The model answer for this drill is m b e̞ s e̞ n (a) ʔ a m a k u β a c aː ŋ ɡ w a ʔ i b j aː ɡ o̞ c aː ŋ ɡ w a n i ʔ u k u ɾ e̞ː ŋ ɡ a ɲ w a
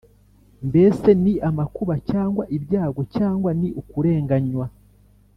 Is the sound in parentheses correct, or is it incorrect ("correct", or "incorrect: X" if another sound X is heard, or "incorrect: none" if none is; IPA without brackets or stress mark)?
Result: incorrect: i